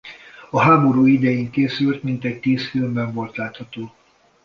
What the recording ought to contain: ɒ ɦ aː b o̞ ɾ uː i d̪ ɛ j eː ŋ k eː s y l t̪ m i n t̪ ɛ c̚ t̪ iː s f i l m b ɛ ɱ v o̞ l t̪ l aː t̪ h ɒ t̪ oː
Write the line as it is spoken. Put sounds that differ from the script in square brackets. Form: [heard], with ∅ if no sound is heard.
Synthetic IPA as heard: ɒ ɦ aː b o̞ ɾ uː i d̪ ɛ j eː ŋ k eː s y l t̪ m i n t̪ ɛ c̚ t̪ iː s f i l m b ɛ ɱ v o̞ l t̪ l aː t̪ h ɒ t̪ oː